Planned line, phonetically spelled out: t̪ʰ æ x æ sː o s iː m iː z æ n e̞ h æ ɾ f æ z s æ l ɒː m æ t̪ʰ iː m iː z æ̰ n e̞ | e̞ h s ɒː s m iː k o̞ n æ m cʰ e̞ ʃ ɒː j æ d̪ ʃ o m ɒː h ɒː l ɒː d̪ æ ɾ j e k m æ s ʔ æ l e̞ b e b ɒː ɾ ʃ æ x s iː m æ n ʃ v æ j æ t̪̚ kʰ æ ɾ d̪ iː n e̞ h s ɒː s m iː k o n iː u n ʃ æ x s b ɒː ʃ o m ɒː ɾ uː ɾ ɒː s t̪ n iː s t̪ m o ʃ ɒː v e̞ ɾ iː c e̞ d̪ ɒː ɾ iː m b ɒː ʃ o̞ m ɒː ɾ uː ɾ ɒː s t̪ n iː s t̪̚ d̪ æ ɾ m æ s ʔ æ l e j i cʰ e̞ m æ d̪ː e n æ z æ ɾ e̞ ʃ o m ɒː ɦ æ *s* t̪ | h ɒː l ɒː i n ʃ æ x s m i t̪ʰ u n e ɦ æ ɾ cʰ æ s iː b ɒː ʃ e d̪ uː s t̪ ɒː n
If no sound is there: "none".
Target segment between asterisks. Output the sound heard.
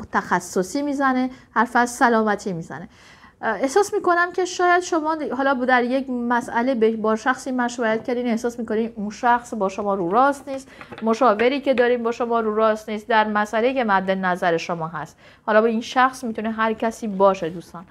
s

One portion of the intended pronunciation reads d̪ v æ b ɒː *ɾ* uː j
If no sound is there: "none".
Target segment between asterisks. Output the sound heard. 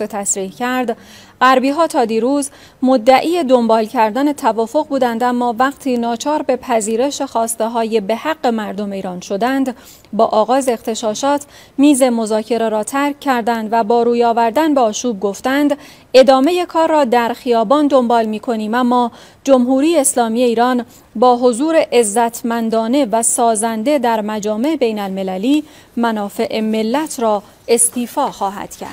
ɾ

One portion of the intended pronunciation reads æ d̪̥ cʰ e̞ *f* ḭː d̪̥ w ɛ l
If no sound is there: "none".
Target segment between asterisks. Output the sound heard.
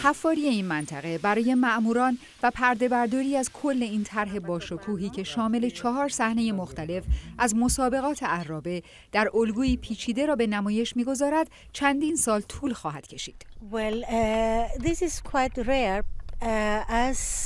ʃ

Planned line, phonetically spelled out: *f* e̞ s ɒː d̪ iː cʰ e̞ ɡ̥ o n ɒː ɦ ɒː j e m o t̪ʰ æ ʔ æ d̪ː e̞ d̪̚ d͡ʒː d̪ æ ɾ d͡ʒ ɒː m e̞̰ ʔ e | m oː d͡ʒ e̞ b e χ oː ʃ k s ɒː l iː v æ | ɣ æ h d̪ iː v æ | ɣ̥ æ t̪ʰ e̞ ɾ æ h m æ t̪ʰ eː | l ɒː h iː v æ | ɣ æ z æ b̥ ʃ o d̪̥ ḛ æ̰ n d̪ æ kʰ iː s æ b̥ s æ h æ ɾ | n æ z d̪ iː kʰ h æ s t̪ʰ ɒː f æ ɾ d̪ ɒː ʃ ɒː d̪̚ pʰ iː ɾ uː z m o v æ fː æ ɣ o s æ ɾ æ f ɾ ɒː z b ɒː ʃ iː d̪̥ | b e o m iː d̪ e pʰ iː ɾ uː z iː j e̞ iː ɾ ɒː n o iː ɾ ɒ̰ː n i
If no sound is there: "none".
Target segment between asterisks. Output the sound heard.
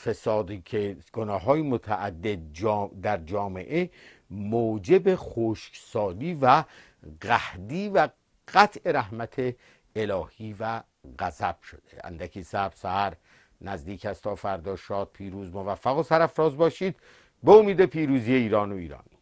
f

